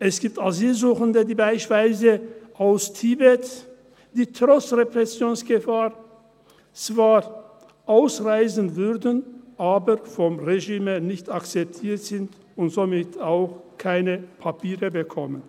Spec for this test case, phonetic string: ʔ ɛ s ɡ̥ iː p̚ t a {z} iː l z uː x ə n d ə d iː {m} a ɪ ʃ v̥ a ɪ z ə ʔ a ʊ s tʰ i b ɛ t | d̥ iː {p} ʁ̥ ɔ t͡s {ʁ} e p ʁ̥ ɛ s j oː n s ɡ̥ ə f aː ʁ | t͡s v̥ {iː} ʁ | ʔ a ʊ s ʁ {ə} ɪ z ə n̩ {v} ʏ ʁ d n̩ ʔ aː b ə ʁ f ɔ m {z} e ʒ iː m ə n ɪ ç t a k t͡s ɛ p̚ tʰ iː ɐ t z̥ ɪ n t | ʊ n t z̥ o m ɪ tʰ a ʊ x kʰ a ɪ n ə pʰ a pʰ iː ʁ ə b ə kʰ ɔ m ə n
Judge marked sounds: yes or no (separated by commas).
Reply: yes, no, no, yes, no, no, yes, no